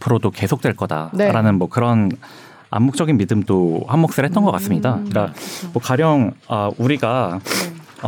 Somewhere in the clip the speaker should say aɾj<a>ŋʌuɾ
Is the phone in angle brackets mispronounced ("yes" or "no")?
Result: yes